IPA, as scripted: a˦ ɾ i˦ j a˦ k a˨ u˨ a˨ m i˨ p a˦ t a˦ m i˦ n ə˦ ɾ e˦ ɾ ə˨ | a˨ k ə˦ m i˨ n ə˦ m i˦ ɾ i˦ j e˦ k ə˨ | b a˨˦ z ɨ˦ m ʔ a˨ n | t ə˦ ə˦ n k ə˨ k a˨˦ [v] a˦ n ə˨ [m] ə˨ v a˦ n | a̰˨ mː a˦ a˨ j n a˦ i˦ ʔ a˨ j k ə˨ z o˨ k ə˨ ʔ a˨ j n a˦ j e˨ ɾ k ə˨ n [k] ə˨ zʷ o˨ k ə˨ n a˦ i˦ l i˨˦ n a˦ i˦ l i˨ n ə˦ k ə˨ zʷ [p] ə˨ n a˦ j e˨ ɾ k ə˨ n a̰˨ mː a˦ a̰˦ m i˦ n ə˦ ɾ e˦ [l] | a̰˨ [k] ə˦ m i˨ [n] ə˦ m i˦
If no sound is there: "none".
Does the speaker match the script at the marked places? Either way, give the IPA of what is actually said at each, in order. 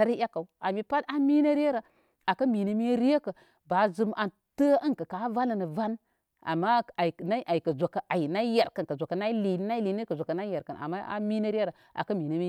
v, n, k, k, ɾ, k, n

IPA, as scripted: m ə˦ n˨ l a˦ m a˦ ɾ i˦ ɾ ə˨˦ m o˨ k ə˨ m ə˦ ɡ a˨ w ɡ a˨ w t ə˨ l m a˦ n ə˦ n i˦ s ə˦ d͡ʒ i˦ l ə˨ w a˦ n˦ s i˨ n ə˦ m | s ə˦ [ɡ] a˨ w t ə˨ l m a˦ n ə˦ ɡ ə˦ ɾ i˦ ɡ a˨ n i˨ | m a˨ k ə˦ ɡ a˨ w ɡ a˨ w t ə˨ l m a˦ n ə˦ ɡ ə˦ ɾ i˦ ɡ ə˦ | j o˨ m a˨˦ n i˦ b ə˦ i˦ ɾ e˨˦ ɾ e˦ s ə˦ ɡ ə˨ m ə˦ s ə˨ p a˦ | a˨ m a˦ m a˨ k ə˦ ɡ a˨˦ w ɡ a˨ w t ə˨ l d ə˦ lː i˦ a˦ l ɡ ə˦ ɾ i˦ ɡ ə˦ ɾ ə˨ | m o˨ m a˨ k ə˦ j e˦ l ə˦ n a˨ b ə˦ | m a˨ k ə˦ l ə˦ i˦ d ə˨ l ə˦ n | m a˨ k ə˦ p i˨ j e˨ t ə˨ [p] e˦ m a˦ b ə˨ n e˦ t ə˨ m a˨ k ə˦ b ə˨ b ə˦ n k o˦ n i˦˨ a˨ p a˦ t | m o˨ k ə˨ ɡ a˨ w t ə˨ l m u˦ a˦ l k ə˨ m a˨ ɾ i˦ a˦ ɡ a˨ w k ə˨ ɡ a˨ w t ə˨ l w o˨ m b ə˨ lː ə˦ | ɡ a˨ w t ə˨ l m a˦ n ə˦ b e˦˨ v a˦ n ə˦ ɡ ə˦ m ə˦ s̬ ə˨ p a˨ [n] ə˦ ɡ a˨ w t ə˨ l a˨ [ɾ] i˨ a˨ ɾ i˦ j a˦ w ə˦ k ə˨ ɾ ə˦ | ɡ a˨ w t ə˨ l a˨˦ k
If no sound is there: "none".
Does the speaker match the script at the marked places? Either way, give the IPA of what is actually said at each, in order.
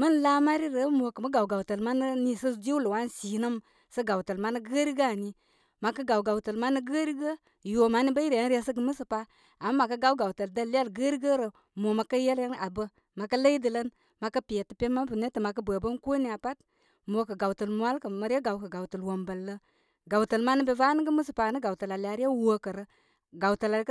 ɡ, p, n, l

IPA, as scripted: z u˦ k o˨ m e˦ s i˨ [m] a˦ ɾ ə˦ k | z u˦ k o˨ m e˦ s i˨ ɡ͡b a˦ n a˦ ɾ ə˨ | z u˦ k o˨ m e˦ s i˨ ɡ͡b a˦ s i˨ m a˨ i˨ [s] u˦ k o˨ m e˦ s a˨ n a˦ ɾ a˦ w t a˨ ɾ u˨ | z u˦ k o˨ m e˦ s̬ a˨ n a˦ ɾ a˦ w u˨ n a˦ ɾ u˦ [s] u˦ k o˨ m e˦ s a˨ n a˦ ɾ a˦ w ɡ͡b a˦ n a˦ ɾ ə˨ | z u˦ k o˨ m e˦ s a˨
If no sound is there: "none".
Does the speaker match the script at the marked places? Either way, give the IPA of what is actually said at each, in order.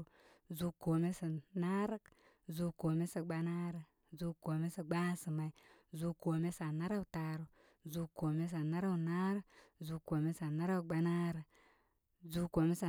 n, z, z

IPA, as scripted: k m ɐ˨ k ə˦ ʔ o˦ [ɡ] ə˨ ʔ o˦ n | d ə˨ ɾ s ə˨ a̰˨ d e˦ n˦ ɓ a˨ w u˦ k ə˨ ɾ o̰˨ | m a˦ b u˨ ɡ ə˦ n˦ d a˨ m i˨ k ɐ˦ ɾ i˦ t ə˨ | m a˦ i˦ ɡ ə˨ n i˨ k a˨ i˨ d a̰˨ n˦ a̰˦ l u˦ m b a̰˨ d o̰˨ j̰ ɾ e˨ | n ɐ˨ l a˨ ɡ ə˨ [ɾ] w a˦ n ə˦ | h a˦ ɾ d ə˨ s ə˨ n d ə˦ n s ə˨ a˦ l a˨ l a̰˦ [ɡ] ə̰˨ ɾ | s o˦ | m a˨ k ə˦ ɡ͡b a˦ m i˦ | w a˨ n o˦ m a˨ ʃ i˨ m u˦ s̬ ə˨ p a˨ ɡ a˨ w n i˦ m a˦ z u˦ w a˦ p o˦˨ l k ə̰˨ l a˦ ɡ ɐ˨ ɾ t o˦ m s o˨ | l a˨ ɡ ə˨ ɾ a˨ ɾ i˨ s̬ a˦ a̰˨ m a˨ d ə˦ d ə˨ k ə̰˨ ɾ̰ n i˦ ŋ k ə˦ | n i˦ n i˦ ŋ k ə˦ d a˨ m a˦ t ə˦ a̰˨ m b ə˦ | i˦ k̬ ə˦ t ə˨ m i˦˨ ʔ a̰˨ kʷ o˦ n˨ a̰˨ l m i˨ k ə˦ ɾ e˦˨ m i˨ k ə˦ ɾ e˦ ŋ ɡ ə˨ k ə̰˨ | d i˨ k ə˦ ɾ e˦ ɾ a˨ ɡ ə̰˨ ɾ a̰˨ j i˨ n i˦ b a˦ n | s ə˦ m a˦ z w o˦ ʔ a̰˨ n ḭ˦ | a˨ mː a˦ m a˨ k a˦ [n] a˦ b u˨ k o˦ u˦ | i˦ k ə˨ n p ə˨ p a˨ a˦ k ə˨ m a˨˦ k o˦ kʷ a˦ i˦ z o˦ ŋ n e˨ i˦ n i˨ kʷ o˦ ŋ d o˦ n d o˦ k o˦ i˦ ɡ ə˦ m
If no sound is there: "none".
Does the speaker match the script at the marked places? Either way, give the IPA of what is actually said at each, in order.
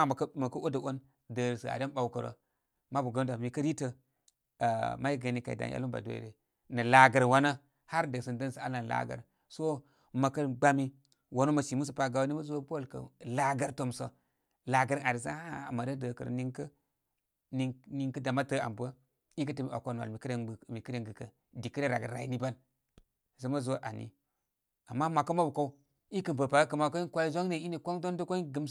d, ɾ, ɡ, m

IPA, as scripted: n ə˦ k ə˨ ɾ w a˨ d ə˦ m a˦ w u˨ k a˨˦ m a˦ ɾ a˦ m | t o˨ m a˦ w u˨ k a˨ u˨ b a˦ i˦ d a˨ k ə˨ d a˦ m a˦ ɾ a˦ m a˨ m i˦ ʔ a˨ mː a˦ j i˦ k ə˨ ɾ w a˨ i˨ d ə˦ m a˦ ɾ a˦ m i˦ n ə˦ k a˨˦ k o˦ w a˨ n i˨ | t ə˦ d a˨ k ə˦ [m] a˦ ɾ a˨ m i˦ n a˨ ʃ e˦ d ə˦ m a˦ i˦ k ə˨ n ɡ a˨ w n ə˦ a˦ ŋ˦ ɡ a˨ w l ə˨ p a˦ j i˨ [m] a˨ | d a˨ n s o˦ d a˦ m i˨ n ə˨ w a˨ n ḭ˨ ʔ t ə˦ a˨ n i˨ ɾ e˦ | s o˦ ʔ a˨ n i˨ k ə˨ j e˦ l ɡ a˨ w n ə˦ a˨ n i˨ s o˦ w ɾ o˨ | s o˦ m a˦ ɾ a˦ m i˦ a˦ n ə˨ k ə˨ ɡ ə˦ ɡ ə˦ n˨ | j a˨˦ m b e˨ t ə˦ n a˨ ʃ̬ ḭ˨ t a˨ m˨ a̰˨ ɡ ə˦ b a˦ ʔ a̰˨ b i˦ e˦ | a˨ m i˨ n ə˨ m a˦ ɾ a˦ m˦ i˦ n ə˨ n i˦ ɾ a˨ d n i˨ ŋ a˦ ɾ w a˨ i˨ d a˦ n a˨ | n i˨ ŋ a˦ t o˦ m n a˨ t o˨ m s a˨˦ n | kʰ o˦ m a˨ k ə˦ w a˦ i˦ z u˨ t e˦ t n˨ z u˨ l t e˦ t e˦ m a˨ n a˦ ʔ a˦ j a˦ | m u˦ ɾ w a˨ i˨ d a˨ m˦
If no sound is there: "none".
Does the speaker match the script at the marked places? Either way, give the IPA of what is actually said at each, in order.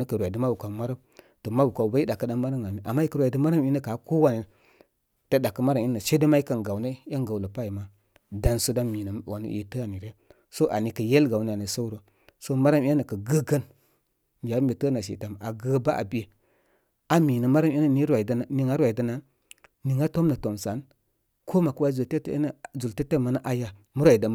m, m

